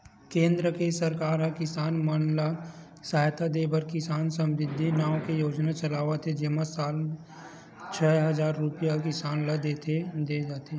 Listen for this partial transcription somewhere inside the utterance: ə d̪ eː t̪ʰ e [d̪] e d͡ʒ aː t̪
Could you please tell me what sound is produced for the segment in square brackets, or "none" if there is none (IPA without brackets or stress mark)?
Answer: d̪